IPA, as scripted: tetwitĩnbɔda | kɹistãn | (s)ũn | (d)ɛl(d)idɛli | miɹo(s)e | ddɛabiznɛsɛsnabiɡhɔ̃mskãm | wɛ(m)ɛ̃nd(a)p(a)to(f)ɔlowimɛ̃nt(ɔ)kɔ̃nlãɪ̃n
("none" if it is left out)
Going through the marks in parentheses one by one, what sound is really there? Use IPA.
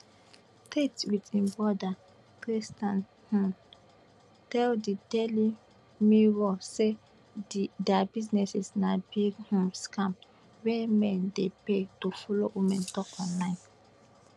h, t, d, s, m, e, e, f, ɔ

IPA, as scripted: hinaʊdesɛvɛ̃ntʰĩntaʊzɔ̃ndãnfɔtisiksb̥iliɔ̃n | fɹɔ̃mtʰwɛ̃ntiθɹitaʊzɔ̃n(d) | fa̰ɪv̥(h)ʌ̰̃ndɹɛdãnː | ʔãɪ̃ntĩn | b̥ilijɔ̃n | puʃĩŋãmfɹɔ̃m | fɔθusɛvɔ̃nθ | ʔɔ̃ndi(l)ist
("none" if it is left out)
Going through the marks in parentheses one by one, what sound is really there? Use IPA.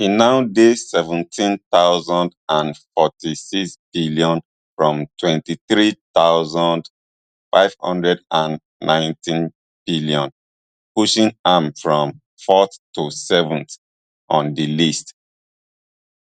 d, h, l

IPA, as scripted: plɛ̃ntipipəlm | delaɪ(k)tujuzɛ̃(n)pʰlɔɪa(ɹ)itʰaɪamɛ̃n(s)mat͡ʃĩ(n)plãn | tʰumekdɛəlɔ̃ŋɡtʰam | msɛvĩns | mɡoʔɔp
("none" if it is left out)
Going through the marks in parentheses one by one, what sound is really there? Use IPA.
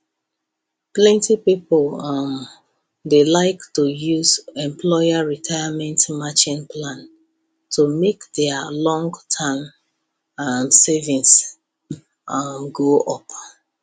k, m, ɹ, t, n

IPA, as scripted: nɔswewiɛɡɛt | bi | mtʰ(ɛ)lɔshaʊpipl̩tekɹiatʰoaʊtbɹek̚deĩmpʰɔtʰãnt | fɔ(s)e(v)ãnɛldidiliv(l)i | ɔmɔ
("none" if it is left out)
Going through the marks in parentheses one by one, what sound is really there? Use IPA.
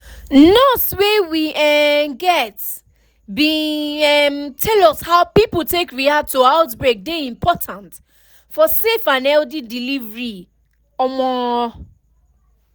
ɛ, s, f, ɹ

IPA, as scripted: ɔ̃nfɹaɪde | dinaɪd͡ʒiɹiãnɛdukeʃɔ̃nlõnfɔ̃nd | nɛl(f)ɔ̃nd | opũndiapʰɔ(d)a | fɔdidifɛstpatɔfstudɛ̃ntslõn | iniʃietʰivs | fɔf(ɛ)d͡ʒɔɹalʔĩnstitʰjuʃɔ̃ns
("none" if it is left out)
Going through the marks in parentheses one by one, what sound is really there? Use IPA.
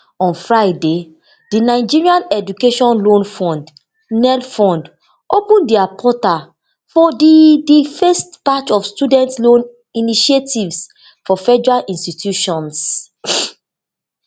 f, t, ɛ

